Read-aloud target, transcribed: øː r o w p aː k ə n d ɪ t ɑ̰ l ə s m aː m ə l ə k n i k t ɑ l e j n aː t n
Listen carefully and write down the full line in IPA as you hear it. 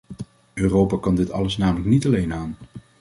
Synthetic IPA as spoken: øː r o w p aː k ɑ n d ɪ t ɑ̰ l ə s n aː m ə l ə k n i t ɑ l e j n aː n